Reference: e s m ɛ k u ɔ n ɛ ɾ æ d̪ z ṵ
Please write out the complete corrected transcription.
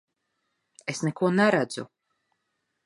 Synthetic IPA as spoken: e s n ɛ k u ɔ n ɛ ɾ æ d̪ z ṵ